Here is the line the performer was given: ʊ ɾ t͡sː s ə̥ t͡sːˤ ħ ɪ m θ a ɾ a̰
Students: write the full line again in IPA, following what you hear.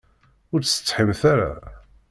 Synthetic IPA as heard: ʊ ɾ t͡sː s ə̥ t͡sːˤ ħ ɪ m θ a ɾ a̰